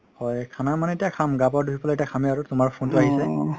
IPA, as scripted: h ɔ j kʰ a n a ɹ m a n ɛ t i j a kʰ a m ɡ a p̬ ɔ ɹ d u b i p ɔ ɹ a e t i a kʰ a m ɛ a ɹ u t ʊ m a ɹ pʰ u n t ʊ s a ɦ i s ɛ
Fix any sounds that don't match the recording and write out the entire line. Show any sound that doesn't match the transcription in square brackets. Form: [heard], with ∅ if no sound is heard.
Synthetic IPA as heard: h ɔ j kʰ a n a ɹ m a n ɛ t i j a kʰ a m ɡ a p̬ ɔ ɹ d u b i p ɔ [l] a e t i a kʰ a m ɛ a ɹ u t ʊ m a ɹ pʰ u n t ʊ [∅] a ɦ i s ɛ